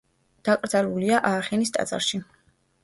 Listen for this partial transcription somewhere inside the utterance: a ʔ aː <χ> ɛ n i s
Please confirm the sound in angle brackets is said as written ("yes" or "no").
yes